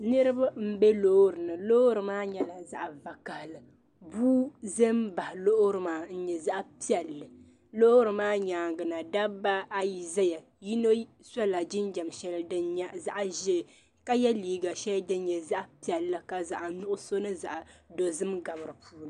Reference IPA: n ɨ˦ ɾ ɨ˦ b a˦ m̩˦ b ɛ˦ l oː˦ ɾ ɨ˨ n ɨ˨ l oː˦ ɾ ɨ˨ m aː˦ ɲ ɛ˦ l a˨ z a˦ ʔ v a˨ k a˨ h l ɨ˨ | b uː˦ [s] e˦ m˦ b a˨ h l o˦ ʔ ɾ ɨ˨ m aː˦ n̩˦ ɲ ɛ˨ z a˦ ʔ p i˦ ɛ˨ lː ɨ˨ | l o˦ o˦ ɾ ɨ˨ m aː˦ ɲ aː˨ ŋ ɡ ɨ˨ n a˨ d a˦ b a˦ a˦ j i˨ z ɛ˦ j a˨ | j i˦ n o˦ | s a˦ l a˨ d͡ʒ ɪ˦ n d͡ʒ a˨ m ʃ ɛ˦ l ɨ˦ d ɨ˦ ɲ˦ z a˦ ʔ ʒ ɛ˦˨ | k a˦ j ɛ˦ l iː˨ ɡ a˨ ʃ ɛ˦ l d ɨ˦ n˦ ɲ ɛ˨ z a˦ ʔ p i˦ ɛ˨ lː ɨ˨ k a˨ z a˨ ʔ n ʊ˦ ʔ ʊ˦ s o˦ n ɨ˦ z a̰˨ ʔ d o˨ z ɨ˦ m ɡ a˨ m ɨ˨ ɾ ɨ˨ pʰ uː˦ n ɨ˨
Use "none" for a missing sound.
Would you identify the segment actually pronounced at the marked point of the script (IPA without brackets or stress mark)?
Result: z